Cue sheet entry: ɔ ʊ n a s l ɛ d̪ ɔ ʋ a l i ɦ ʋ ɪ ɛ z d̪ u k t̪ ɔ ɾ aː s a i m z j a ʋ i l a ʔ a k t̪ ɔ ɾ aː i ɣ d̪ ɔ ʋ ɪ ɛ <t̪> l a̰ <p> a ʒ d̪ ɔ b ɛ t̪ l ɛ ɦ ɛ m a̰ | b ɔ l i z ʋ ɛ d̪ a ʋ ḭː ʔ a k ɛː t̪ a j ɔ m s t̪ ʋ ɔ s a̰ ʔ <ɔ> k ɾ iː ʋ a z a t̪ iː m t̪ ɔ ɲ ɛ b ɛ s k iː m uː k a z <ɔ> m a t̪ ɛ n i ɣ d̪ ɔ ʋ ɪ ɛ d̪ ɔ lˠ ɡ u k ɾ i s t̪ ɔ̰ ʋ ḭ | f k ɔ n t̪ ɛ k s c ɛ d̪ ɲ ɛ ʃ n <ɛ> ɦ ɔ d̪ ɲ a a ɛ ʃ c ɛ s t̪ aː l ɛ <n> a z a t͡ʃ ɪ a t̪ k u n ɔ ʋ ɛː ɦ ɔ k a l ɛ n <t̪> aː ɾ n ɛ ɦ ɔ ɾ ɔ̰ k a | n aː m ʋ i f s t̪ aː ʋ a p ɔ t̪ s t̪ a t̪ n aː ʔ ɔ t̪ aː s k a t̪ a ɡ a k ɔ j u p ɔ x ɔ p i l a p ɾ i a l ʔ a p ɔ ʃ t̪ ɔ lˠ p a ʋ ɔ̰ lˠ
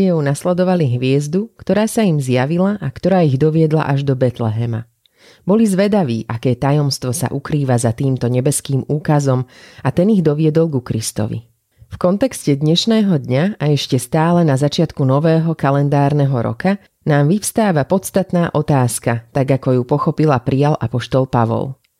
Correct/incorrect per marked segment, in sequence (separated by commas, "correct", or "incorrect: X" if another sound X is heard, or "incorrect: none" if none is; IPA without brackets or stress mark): incorrect: d̪, incorrect: ʔ, incorrect: u, correct, incorrect: ɛː, correct, incorrect: d̪